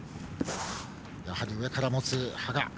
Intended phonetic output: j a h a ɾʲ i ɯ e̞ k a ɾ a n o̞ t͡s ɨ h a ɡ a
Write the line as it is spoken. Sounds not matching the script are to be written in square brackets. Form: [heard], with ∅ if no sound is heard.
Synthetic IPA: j a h a ɾʲ i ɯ e̞ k a ɾ a [m] o̞ t͡s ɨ h a ɡ a